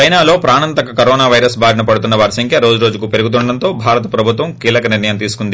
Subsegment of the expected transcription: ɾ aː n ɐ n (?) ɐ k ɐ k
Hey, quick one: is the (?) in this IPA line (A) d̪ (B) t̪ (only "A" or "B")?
B